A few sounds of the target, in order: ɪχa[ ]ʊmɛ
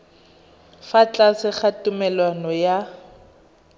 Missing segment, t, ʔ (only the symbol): t